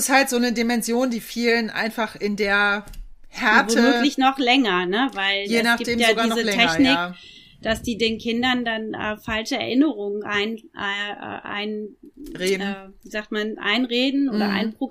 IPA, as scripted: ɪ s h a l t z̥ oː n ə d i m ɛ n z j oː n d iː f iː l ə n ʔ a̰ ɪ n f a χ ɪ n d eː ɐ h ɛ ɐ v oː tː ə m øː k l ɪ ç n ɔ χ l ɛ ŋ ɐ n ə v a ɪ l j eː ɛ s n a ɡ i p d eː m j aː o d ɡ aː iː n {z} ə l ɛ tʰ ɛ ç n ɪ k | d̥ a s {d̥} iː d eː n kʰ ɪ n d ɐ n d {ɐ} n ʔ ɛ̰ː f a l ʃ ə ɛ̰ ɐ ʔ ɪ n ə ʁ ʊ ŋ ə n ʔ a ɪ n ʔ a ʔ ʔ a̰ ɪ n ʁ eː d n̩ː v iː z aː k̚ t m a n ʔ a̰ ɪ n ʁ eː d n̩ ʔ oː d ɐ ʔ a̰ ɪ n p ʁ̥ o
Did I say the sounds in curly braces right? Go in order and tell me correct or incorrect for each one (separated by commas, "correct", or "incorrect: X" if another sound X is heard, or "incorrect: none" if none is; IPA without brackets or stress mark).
correct, correct, incorrect: a